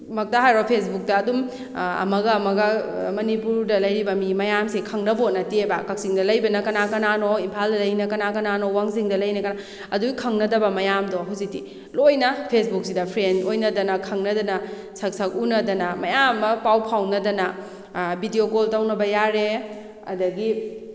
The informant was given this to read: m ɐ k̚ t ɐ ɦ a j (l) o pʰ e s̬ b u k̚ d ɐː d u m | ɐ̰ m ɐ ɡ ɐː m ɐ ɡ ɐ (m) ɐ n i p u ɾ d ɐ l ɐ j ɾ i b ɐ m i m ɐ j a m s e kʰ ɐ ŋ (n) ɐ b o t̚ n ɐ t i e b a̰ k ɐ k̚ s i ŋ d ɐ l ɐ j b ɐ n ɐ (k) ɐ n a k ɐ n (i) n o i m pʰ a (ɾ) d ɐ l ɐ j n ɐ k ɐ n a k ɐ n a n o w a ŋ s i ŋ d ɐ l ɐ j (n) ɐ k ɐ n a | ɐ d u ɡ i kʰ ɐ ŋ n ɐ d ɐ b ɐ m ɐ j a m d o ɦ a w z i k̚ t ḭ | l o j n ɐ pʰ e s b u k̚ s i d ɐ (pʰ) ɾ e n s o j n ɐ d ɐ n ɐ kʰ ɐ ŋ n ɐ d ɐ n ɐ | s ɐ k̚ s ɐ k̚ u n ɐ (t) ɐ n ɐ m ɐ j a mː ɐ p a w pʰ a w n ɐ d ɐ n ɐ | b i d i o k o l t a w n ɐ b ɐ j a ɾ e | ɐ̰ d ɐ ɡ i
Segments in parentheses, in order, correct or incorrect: incorrect, correct, correct, correct, incorrect, incorrect, correct, correct, incorrect

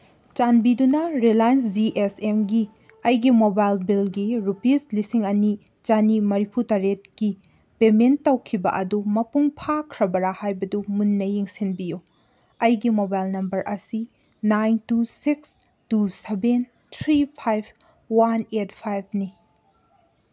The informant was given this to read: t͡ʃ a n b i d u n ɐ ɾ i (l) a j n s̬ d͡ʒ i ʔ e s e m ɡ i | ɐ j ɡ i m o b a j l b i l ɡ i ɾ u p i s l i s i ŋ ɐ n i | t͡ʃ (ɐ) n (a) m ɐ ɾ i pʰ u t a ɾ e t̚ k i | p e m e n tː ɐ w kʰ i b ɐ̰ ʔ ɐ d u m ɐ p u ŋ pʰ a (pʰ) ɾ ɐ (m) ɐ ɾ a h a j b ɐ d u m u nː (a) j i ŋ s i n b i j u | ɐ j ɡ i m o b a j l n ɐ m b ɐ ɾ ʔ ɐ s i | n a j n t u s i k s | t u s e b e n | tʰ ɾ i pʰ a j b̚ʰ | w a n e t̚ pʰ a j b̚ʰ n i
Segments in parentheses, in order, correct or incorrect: correct, incorrect, incorrect, incorrect, incorrect, incorrect

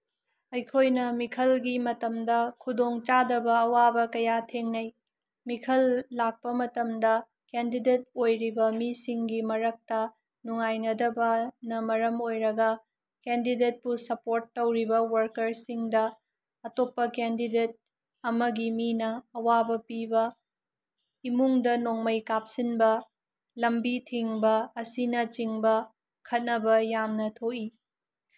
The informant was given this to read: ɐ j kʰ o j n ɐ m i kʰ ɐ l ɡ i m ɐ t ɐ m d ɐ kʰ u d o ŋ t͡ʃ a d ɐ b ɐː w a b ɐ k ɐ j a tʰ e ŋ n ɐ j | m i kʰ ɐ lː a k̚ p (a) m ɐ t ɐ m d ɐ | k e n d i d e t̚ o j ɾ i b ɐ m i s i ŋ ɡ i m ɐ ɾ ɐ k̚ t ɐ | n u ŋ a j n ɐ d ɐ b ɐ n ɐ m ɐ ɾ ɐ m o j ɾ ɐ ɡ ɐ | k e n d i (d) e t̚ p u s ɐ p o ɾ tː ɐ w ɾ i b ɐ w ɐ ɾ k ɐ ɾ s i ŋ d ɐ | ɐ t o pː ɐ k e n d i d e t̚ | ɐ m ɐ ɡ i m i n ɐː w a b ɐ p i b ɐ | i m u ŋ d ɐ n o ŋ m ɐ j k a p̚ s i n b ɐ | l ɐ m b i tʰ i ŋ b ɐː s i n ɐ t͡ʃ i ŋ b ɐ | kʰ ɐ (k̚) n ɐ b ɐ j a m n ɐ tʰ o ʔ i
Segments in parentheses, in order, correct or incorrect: incorrect, correct, incorrect

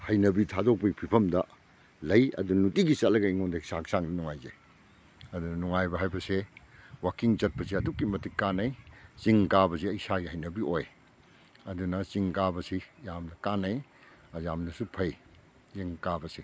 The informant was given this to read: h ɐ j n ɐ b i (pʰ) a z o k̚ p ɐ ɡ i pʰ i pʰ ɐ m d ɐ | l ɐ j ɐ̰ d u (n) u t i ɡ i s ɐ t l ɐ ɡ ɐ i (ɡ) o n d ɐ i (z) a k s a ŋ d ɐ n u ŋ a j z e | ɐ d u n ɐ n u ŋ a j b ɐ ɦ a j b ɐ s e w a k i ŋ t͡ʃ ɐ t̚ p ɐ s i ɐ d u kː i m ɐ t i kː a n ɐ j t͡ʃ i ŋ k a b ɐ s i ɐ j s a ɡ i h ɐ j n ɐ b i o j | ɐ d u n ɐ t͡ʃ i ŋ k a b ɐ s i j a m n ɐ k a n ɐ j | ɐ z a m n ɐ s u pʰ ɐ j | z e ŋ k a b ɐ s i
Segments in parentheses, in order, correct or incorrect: incorrect, correct, incorrect, incorrect

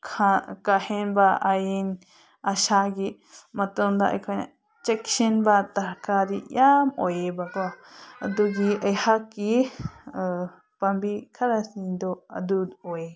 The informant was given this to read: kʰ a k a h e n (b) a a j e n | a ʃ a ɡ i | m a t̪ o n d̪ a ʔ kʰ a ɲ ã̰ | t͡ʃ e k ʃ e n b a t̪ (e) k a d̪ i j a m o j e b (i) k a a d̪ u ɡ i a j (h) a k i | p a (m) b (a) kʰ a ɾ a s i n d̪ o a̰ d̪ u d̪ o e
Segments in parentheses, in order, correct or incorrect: correct, incorrect, incorrect, correct, correct, incorrect

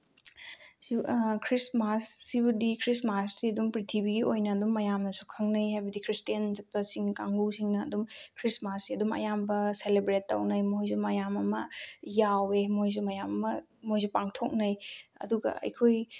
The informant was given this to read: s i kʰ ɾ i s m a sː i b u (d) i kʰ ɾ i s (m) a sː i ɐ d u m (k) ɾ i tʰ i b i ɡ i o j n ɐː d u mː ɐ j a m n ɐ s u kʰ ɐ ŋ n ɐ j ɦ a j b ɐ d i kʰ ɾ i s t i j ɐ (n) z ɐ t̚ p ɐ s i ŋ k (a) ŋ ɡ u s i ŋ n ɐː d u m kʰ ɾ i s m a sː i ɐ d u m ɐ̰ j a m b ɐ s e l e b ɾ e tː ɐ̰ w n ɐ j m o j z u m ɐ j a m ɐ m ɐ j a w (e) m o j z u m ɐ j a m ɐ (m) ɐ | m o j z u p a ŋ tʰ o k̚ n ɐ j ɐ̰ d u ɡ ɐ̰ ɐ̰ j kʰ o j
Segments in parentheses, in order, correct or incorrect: correct, correct, incorrect, correct, correct, correct, correct

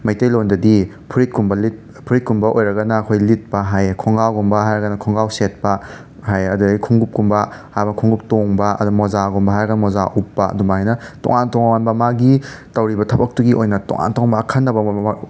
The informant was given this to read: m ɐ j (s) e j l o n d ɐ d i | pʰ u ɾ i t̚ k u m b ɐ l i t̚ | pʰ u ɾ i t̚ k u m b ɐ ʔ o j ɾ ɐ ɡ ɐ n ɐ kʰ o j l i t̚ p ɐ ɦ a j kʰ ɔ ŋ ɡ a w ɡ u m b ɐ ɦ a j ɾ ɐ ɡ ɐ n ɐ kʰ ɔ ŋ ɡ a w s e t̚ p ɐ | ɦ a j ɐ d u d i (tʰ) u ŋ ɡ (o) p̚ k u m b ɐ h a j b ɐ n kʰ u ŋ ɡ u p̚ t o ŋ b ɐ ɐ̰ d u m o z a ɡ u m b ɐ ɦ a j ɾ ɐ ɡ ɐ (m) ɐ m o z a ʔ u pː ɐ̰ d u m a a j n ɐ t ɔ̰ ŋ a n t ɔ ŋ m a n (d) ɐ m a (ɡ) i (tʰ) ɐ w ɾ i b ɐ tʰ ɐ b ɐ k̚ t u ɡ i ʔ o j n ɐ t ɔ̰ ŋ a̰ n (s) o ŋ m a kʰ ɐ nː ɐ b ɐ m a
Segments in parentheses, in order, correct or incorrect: incorrect, incorrect, incorrect, incorrect, incorrect, correct, incorrect, incorrect

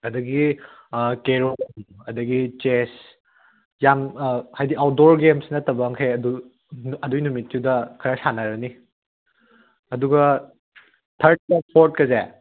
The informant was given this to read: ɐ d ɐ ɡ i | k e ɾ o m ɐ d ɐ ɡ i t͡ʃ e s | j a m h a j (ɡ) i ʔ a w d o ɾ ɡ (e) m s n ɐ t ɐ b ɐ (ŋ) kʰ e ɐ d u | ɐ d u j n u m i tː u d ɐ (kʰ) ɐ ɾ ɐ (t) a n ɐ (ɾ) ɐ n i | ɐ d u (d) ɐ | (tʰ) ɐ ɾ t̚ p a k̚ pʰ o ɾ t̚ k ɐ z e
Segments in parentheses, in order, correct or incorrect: incorrect, correct, correct, correct, incorrect, correct, incorrect, correct

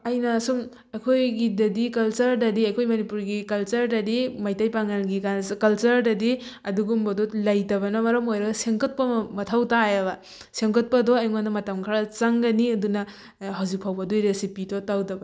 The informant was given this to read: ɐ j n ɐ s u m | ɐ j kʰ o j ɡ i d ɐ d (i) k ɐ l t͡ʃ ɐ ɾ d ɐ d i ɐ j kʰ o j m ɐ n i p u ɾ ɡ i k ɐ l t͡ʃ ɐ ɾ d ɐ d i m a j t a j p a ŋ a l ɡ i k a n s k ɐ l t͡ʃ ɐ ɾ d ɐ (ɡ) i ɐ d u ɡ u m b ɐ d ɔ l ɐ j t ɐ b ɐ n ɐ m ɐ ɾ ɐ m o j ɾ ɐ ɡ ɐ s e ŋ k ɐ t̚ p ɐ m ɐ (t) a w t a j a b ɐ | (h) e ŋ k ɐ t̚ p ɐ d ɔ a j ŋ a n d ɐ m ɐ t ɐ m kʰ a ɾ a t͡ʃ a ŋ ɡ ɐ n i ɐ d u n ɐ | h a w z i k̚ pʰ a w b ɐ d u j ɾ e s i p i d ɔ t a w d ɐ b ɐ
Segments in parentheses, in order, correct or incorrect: correct, incorrect, incorrect, incorrect

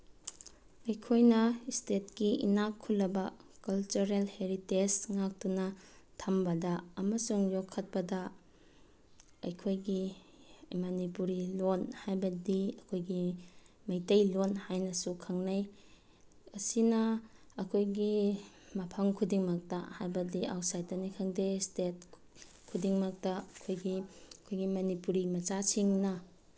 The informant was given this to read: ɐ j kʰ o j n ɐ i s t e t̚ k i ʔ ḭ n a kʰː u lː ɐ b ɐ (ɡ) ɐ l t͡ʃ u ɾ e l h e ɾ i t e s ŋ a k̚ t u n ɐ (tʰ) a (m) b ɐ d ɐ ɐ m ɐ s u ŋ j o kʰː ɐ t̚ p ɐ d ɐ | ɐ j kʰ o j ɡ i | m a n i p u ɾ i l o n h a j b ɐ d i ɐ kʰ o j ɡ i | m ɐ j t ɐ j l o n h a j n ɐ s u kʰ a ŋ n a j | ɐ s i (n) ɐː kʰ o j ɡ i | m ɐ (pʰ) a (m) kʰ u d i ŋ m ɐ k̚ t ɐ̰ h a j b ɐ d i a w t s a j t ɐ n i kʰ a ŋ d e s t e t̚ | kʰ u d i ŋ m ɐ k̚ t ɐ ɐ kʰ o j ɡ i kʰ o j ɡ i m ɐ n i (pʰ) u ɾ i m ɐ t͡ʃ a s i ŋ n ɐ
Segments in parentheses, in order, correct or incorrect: incorrect, correct, correct, correct, correct, incorrect, incorrect

